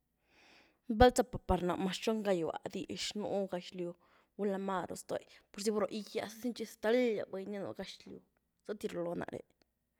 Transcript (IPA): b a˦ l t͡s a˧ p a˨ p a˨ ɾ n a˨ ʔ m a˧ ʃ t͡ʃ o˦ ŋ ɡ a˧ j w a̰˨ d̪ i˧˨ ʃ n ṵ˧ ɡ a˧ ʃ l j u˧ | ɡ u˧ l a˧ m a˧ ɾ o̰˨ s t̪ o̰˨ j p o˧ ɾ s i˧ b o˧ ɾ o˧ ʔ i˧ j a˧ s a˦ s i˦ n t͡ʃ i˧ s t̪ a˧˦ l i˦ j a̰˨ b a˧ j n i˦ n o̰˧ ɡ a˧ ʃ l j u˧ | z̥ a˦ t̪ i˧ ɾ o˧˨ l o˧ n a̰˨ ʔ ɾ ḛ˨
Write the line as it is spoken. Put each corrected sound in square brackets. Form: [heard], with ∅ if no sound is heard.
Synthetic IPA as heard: b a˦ l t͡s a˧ p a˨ p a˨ ɾ n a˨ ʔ m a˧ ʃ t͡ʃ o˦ ŋ ɡ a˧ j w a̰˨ d̪ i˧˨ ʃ n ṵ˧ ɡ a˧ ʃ l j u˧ | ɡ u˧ l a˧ m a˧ ɾ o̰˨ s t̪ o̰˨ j p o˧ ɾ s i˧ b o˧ ɾ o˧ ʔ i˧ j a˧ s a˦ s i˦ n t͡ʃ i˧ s t̪ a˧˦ l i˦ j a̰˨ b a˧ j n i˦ n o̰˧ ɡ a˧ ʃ l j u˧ | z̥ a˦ t̪ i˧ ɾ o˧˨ l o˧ n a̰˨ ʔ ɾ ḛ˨